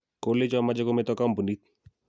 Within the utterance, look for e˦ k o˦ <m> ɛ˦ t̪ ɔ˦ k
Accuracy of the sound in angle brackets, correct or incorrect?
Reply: correct